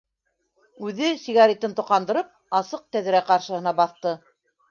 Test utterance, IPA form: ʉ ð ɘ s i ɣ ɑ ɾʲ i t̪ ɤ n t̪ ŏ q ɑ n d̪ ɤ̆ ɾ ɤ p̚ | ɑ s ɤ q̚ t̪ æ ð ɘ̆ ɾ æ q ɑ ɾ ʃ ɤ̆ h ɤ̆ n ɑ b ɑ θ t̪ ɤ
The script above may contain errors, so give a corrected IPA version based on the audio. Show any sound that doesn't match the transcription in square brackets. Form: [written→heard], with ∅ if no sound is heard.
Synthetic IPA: ʉ ð ɘ s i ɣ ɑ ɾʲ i t̪ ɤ n t̪ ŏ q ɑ n d̪ ɤ̆ ɾ ɤ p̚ | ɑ s ɤ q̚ t̪ æ ð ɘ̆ ɾ æ q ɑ ɾ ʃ ɤ̆ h ɤ̆ n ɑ b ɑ θ t̪ ɤ